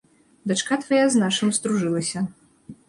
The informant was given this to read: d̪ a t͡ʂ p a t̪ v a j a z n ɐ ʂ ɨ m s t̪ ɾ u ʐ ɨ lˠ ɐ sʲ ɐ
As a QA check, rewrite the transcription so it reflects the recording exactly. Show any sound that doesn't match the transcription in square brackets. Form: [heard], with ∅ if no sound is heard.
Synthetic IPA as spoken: d̪ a t͡ʂ [k] a t̪ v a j a z n [a] ʂ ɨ m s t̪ ɾ u ʐ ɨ lˠ ɐ sʲ ɐ

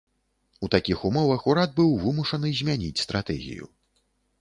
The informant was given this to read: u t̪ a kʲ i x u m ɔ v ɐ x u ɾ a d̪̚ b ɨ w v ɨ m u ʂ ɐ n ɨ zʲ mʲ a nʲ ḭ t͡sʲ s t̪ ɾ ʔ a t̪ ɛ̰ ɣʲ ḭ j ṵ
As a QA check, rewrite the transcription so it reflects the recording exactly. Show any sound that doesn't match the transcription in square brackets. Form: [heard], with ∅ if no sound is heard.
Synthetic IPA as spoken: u t̪ a kʲ i x u m ɔ v ɐ x u ɾ a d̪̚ b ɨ w v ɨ m u ʂ ɐ n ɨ zʲ mʲ a nʲ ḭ t͡sʲ s t̪ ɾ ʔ a t̪ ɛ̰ ɣʲ ḭ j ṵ

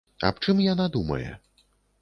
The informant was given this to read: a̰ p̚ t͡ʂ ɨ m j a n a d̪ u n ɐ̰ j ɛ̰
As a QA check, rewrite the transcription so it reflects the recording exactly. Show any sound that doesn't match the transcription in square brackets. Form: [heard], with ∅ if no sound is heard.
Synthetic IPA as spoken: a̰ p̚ t͡ʂ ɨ m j a n a d̪ u [m] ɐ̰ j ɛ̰

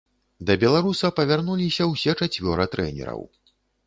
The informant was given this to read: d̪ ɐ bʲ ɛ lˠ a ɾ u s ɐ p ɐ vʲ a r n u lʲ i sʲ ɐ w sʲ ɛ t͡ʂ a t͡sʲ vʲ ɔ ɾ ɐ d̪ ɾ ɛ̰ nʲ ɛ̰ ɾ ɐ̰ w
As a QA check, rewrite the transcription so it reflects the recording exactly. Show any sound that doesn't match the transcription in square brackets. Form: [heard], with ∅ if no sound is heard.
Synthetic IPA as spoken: d̪ ɐ bʲ ɛ lˠ a ɾ u s ɐ p ɐ vʲ a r n u lʲ i sʲ ɐ w sʲ ɛ t͡ʂ a t͡sʲ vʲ ɔ ɾ ɐ [t̪] ɾ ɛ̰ nʲ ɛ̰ ɾ ɐ̰ w

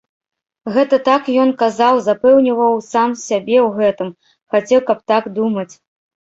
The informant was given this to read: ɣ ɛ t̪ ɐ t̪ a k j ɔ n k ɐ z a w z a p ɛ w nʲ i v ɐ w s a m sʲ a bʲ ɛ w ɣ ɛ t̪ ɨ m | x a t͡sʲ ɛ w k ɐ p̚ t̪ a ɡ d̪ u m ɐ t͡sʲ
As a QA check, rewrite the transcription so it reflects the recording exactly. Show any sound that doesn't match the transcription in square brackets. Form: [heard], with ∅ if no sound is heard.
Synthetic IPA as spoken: ɣ ɛ t̪ ɐ t̪ a k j ɔ n k [a] z a w z a p ɛ w nʲ i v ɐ w s a m sʲ a bʲ ɛ w ɣ ɛ t̪ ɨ m | x a t͡sʲ ɛ w k ɐ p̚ t̪ a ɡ d̪ u m ɐ t͡sʲ

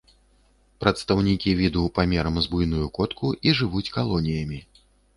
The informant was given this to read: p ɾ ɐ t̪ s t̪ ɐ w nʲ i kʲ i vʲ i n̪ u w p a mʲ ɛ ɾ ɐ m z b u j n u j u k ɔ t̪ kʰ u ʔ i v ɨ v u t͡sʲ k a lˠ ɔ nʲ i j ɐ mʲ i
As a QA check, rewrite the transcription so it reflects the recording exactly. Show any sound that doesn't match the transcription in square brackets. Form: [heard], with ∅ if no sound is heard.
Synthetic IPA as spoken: p ɾ ɐ t̪ s t̪ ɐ w nʲ i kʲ i vʲ i [d̪] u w p a mʲ ɛ ɾ ɐ m z b u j n u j u k ɔ t̪ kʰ u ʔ i [ʐ] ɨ v u t͡sʲ k a lˠ ɔ nʲ i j ɐ mʲ i

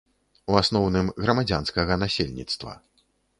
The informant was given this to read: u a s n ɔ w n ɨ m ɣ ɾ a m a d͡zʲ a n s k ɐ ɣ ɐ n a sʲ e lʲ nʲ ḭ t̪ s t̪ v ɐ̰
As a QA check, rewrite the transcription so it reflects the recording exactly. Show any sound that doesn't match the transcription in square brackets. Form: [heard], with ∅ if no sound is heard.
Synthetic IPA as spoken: u a s n ɔ w n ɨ m ɣ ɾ [ɐ] m a d͡zʲ a n s k ɐ ɣ ɐ n a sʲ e lʲ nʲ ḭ t̪ s t̪ v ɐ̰

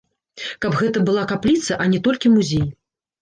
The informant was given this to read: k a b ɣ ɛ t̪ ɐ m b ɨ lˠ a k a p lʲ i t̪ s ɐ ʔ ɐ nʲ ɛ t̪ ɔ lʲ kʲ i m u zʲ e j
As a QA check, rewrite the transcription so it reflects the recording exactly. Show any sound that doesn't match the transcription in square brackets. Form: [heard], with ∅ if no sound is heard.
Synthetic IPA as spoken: k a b ɣ ɛ t̪ ɐ [∅] b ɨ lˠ a k a p lʲ i t̪ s ɐ ʔ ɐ nʲ ɛ t̪ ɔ lʲ kʲ i m u zʲ e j

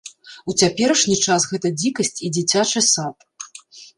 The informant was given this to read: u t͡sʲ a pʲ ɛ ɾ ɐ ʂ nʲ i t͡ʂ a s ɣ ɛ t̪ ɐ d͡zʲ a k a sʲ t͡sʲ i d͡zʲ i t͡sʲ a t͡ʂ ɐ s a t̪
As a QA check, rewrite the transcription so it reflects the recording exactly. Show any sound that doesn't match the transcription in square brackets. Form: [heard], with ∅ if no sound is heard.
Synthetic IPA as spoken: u t͡sʲ a pʲ ɛ ɾ ɐ ʂ nʲ i t͡ʂ a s ɣ ɛ t̪ ɐ d͡zʲ [i] k [ɐ] sʲ t͡sʲ i d͡zʲ i t͡sʲ a t͡ʂ ɐ s a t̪

